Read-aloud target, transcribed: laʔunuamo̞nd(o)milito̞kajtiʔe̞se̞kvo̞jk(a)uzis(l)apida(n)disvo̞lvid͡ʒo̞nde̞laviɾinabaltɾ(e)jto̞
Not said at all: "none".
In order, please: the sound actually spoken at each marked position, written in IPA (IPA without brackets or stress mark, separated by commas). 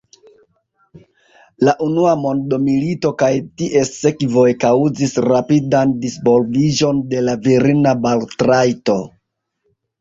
o, a, ɾ, n, a